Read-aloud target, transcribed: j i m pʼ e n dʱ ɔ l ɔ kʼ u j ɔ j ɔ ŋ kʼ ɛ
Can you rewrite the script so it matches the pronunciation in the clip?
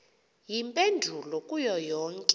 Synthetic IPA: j i m pʼ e n dʱ u l ɔ kʼ u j ɔ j ɔː ŋ kʼ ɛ